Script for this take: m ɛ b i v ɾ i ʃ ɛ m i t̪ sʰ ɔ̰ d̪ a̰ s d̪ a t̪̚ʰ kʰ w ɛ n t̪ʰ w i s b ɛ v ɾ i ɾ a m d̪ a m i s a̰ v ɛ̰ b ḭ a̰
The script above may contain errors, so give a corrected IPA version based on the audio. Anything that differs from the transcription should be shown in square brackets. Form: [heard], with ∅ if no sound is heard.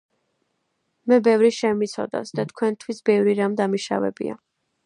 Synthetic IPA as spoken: m ɛ b [ɛ] v ɾ i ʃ ɛ m i t̪ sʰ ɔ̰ d̪ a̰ s d̪ a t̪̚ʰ kʰ w ɛ n t̪ʰ w i s b ɛ v ɾ i ɾ a m d̪ a m i [ʃ] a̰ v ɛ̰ b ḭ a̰